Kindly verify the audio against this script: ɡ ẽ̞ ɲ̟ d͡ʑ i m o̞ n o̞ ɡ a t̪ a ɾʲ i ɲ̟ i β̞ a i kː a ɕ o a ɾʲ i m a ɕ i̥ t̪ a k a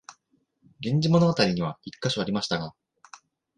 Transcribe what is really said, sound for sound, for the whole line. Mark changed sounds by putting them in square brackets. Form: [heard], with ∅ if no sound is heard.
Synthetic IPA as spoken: ɡ ẽ̞ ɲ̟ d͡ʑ i m o̞ n o̞ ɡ a t̪ a ɾʲ i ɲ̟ i β̞ a i kː a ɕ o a ɾʲ i m a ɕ i̥ t̪ a [ɡ] a